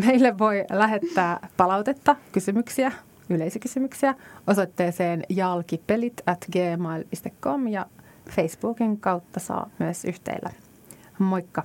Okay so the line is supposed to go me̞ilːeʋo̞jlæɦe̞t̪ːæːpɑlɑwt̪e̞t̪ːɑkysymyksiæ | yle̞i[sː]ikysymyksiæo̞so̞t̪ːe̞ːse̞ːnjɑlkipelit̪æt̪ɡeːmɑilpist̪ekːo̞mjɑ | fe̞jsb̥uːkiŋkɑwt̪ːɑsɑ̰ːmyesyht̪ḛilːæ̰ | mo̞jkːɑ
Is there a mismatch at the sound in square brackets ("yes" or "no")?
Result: yes